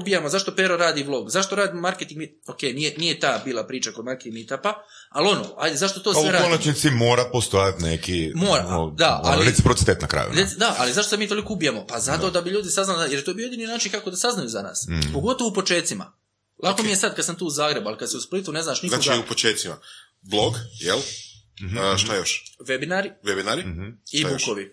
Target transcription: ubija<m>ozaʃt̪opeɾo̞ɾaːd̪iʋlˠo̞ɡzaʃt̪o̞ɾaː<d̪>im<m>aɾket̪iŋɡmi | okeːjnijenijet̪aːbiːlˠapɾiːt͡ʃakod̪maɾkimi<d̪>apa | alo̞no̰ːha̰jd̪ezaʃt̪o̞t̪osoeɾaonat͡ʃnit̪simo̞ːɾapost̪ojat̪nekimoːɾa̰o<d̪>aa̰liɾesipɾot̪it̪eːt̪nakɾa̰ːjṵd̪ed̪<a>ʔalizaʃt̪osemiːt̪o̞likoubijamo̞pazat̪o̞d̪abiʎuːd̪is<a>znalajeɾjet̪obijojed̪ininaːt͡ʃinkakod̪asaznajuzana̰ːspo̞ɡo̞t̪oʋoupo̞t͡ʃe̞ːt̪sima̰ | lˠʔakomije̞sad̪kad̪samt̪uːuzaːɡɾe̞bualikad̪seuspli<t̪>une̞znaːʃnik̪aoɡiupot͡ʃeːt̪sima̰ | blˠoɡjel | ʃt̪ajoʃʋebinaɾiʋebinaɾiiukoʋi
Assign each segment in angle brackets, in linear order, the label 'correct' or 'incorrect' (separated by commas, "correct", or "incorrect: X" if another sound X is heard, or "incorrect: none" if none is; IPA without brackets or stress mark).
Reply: correct, correct, correct, incorrect: t̪, correct, correct, correct, correct